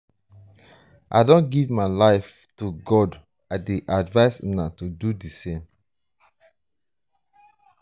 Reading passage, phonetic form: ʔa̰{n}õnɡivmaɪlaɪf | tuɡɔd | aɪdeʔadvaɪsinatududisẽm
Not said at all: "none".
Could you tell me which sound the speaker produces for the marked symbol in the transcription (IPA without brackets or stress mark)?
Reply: d